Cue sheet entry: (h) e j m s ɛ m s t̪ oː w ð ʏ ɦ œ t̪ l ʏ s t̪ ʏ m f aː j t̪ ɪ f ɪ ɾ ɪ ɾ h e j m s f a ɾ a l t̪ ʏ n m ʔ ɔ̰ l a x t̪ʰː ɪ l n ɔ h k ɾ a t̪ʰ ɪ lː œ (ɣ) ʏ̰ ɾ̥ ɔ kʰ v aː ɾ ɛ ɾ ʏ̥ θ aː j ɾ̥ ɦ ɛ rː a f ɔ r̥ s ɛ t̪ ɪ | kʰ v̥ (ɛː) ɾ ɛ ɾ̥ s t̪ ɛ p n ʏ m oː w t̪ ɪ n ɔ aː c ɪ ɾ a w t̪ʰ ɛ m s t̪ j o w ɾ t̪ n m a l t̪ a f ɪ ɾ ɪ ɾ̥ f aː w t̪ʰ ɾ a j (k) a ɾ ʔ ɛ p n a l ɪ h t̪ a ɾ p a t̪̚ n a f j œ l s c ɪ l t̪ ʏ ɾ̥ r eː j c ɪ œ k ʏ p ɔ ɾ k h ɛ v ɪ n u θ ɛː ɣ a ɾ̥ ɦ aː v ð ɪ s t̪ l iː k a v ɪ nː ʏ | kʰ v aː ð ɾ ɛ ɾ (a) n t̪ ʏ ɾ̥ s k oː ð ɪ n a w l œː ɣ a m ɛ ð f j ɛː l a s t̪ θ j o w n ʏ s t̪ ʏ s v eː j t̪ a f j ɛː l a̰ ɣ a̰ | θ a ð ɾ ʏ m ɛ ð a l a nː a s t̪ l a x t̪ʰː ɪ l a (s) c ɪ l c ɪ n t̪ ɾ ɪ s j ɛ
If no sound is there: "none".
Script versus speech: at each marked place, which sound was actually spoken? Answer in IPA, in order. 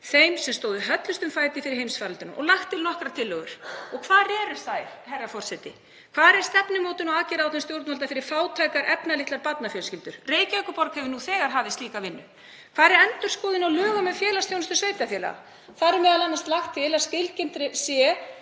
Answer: θ, ɣ, aː, k, ɛ, s

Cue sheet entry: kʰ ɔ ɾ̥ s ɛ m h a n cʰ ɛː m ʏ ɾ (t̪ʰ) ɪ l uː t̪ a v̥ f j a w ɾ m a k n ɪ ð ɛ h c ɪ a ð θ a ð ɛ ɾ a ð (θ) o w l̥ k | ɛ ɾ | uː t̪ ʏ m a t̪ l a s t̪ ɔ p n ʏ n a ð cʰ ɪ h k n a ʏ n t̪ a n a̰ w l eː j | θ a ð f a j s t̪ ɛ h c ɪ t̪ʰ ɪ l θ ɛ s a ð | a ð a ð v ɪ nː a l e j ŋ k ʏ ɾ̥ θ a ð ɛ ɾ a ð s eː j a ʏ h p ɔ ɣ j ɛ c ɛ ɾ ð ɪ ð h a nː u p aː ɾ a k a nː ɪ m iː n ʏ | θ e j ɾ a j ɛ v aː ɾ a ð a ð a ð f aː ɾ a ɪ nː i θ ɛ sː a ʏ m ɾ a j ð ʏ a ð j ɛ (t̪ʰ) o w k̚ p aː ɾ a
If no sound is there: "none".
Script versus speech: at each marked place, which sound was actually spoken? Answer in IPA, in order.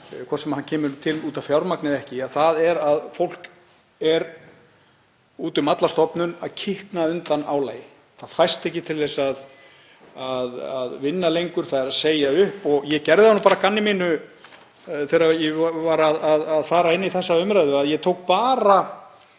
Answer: t̪ʰ, f, t̪ʰ

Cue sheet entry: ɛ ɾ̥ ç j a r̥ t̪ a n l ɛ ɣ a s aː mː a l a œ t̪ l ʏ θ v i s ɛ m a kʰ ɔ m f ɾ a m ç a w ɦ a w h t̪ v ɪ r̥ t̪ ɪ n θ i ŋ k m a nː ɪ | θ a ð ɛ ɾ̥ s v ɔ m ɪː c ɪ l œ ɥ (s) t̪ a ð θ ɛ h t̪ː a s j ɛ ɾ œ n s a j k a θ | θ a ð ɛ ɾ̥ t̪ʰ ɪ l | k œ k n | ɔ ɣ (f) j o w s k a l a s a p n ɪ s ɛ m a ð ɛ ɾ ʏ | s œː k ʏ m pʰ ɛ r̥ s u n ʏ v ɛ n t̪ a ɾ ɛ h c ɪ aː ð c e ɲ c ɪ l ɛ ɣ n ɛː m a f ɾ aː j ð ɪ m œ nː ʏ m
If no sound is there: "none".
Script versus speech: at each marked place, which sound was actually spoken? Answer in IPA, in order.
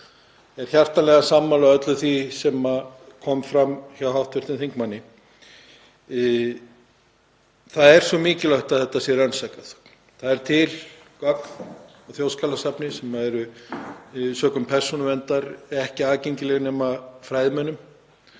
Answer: h, θ

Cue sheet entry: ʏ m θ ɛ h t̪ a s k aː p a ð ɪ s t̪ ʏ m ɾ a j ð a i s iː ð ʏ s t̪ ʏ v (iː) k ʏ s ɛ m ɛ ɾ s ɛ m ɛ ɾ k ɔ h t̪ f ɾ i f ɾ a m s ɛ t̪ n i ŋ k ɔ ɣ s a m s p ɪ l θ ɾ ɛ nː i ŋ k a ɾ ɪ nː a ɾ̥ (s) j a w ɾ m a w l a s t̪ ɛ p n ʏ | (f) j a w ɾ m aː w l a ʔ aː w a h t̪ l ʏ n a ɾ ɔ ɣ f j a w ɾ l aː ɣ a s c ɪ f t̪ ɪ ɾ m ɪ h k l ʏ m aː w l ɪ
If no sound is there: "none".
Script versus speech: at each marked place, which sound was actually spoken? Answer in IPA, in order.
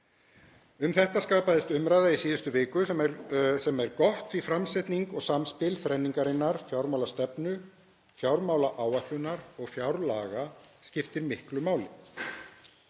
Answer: ɪː, f, f

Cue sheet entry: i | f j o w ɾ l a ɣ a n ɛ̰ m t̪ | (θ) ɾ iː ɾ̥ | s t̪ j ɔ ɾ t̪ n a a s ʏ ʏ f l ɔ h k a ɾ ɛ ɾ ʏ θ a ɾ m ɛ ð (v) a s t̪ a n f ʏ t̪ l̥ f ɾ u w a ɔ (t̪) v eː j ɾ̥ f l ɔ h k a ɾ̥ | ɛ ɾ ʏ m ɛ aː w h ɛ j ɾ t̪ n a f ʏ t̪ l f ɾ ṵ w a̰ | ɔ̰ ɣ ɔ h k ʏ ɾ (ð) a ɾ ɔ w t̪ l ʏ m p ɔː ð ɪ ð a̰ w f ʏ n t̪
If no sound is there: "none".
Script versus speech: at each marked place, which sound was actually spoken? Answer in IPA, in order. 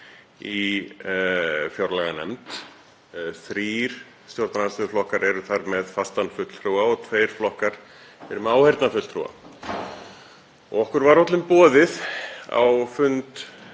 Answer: θ, f, t̪ʰ, v

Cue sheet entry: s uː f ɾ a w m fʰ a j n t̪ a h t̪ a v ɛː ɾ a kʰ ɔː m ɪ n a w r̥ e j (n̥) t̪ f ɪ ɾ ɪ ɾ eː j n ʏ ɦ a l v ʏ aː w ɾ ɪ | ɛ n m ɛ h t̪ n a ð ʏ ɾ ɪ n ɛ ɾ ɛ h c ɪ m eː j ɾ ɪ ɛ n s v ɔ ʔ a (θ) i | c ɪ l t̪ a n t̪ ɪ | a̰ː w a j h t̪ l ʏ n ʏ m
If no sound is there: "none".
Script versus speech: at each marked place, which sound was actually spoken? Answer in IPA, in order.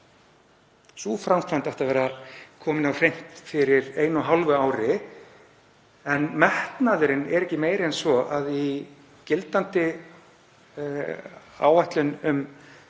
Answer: m̥, ð

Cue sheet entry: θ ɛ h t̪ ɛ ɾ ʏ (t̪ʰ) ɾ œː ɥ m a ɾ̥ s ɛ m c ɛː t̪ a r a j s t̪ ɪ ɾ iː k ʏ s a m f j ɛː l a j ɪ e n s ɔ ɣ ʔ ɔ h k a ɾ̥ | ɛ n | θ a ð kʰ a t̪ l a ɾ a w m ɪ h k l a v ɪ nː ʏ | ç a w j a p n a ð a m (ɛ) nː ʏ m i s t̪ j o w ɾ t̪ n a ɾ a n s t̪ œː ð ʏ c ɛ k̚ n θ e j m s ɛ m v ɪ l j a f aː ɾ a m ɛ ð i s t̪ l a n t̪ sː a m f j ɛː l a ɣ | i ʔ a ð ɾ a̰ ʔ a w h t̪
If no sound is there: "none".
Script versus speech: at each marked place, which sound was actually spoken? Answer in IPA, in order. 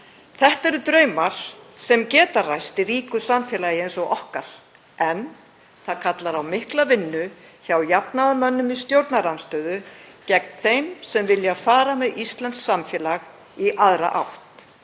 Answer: t̪, œ

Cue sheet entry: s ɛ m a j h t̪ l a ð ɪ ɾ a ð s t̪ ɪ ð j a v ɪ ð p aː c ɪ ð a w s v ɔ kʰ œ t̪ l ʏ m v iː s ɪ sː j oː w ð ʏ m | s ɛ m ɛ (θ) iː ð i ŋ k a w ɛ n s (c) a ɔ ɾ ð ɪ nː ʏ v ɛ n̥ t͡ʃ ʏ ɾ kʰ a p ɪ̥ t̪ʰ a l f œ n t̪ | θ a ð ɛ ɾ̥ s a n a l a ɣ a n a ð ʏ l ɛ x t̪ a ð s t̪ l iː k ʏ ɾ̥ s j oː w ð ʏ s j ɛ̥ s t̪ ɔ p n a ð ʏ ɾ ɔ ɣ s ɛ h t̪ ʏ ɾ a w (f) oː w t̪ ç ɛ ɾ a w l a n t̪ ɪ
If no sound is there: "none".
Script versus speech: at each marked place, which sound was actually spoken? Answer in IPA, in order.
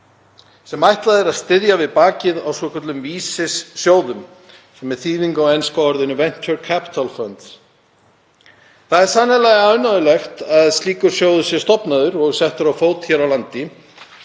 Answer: θ, k, f

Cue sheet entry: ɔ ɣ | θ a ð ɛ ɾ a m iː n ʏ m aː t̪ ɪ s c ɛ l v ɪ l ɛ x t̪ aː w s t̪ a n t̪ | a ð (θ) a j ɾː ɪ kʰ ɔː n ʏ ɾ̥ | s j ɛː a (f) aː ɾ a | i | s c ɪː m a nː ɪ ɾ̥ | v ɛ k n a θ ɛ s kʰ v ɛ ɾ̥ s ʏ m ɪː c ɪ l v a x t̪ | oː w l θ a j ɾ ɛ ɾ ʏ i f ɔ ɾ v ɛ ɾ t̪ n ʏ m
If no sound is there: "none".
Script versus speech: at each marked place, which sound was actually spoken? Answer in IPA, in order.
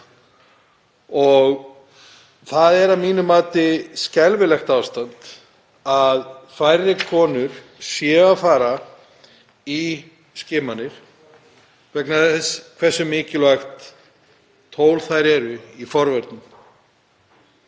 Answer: f, f

